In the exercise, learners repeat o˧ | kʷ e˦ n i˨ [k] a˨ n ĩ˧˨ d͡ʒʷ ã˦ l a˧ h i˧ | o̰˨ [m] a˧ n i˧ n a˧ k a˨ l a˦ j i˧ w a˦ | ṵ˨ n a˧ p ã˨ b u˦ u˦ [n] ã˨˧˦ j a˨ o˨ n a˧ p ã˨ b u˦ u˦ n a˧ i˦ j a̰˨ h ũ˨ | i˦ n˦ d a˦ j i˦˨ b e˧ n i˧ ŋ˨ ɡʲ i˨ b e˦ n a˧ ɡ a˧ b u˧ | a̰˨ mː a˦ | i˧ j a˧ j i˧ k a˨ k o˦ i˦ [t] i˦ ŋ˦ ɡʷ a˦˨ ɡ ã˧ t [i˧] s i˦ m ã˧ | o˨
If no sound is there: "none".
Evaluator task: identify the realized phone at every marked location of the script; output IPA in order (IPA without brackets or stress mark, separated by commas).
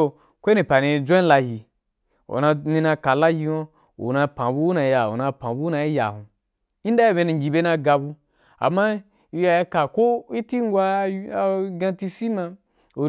p, n, n, t, i˧